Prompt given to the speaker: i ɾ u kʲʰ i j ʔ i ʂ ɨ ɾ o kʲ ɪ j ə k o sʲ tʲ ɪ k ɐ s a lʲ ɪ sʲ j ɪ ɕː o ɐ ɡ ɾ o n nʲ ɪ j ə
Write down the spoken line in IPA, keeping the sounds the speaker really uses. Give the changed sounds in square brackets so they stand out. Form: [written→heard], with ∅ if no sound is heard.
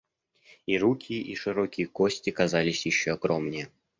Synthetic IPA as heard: i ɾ u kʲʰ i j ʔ i ʂ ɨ ɾ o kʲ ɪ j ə k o sʲ tʲ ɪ k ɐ [s→z] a lʲ ɪ sʲ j ɪ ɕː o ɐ ɡ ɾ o [n→m] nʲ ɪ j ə